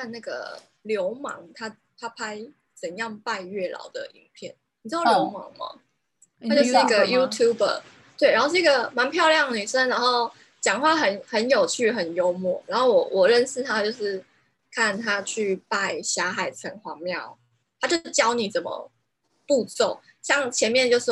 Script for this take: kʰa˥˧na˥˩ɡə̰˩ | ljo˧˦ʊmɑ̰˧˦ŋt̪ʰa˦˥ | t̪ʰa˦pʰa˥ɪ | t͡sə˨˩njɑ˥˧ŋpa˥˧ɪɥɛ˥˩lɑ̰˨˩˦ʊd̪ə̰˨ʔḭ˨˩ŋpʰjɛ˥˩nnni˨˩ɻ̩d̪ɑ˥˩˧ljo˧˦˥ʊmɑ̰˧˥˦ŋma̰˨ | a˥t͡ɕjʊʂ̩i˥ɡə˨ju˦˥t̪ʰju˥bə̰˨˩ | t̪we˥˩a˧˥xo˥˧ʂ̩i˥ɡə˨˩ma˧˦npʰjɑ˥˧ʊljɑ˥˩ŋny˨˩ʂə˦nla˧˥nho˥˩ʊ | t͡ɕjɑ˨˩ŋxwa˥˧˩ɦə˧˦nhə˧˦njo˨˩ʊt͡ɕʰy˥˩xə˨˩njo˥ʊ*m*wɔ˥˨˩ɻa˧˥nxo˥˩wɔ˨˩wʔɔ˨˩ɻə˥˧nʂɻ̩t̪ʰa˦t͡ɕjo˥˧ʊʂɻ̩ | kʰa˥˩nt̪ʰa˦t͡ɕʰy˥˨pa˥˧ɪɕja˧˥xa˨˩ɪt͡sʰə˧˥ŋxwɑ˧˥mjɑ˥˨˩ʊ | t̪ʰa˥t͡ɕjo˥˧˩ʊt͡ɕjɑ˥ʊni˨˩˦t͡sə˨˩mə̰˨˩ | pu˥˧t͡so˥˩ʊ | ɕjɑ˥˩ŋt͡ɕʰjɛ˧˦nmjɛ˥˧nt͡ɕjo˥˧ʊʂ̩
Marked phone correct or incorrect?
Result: correct